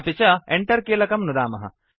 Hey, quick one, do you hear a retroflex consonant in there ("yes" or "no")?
yes